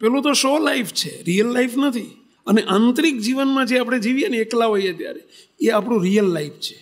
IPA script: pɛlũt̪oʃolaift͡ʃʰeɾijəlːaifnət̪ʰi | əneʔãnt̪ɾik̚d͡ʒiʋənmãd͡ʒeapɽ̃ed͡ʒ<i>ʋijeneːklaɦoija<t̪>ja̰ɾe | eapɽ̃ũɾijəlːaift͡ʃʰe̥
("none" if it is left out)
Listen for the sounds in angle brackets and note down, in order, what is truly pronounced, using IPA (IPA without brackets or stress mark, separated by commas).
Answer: i, t̪